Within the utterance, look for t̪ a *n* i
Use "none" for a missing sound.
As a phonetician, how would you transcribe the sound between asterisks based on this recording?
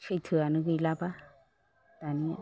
n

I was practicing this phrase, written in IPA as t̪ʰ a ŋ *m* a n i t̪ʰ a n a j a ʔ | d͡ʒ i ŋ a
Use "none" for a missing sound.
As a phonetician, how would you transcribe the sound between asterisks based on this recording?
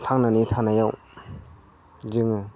n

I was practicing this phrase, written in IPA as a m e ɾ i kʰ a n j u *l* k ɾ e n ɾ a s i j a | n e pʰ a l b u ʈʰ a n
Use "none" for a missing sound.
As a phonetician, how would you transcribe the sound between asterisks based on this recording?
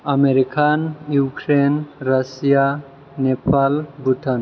none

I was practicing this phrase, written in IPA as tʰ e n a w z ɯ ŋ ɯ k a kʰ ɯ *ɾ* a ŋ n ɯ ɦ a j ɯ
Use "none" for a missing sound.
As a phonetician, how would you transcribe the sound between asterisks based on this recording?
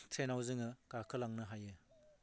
l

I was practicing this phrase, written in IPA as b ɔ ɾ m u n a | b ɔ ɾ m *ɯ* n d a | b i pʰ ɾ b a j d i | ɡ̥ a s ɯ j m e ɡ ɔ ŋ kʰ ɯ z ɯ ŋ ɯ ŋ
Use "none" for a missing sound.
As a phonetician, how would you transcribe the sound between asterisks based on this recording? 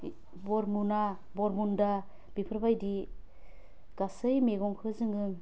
u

